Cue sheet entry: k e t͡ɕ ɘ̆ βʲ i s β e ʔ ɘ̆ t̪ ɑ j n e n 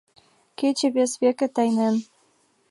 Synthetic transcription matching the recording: k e t͡ɕ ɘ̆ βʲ e s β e k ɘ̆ t̪ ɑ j n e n